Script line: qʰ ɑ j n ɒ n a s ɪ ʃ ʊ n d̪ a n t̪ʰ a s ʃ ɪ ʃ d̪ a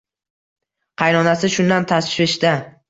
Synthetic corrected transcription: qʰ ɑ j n ɒ n a s ɪ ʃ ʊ n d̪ a n t̪ʰ a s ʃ ɪ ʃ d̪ a